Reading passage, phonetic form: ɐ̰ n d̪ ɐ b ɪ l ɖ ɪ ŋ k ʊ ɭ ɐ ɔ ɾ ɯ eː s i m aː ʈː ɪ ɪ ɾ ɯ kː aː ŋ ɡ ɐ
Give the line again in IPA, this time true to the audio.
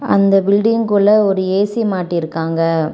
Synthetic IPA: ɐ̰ n d̪ ɐ b ɪ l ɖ ɪ ŋ k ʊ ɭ ɐ ɔ ɾ ɯ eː s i m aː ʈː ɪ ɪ ɾ ɯ kː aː ŋ ɡ ɐ